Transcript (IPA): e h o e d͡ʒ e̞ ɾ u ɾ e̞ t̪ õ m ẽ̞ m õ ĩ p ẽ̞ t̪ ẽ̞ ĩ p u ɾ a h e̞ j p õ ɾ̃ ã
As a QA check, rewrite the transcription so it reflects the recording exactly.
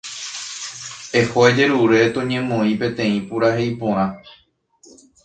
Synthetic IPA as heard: e h o e d͡ʒ e̞ ɾ u ɾ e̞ t̪ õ ɲ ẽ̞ m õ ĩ p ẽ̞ t̪ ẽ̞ ĩ p u ɾ a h e̞ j p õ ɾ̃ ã